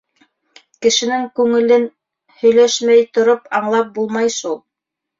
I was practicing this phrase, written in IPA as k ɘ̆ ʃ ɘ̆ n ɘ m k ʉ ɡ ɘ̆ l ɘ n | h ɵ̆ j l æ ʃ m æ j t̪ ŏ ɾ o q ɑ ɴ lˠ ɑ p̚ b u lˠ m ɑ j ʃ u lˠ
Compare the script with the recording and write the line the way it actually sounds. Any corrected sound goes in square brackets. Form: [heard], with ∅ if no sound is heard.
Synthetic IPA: k ɘ̆ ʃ ɘ̆ n ɘ [ŋ] k ʉ [ŋ] ɘ̆ l ɘ n | h ɵ̆ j l æ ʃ m æ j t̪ ŏ ɾ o [p] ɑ ɴ lˠ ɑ p̚ b u lˠ m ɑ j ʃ u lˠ